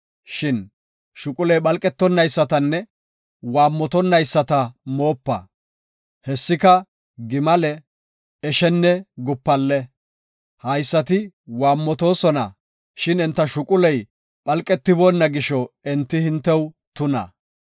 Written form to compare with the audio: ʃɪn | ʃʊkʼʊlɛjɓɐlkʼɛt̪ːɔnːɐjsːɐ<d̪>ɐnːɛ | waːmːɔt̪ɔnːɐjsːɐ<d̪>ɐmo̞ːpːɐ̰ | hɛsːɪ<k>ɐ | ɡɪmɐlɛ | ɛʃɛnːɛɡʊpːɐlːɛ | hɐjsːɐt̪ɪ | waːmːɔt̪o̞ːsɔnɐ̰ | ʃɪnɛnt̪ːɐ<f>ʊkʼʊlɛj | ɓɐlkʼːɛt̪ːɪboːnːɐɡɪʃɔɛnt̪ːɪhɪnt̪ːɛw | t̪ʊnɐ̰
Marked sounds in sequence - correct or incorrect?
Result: incorrect: t̪, incorrect: t̪, correct, incorrect: ʃ

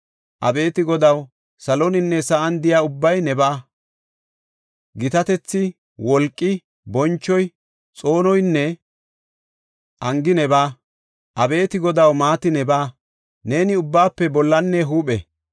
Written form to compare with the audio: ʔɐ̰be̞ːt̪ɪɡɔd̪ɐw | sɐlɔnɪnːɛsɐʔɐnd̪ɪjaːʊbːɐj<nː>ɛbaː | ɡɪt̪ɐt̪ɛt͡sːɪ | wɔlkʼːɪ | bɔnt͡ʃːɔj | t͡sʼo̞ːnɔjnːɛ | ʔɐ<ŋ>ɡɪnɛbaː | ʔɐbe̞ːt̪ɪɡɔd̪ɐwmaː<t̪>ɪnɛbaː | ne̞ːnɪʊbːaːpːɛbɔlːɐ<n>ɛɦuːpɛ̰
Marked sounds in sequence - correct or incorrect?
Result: incorrect: n, correct, correct, incorrect: nː

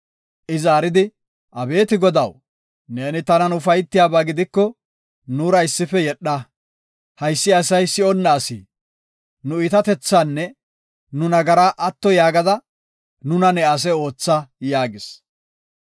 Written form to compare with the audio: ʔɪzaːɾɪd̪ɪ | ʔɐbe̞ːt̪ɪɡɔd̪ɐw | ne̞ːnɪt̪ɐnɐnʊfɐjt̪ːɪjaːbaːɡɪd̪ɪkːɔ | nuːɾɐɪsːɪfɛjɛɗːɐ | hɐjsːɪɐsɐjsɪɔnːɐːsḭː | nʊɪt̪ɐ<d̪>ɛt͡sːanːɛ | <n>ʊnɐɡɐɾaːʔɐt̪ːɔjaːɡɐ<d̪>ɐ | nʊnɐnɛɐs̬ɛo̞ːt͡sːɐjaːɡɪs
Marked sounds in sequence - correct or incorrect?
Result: incorrect: t̪, correct, correct

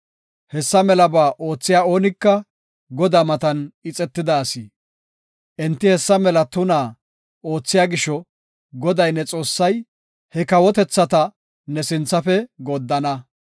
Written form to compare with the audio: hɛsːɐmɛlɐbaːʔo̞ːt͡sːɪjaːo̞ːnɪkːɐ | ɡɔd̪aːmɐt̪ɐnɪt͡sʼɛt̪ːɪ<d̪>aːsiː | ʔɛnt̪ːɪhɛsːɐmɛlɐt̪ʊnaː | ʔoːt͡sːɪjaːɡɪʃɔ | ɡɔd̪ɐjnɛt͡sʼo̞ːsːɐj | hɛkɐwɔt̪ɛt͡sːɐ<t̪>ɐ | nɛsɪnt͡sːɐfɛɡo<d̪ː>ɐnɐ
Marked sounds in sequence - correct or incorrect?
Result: correct, correct, correct

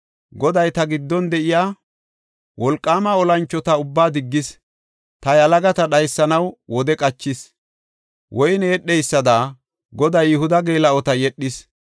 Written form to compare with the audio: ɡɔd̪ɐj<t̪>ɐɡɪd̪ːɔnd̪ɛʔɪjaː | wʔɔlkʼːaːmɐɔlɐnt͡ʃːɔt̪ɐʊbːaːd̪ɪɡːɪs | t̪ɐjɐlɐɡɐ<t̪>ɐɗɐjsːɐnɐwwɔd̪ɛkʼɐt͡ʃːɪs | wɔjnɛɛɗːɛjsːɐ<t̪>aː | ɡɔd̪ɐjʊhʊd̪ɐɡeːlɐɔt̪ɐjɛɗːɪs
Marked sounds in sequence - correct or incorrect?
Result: correct, correct, incorrect: d̪

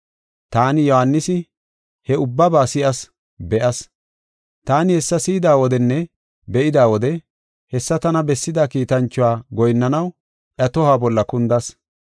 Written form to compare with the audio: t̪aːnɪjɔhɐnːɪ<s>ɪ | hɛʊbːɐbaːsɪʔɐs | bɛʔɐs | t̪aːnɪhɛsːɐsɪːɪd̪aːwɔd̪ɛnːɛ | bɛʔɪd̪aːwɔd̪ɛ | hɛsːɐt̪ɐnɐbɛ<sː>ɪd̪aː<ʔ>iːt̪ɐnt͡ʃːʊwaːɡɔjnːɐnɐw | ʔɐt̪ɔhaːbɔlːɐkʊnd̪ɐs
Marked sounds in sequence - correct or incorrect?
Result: correct, correct, incorrect: k

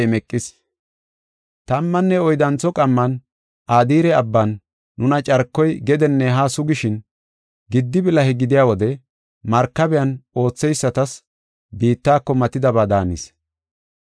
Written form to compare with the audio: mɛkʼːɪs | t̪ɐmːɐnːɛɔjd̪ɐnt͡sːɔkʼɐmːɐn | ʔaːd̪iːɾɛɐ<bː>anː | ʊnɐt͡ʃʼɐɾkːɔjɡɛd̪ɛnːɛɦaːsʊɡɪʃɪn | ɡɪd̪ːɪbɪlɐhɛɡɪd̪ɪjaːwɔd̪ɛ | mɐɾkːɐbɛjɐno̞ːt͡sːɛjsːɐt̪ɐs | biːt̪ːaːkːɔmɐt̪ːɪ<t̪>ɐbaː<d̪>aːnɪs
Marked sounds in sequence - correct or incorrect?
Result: correct, incorrect: d̪, correct

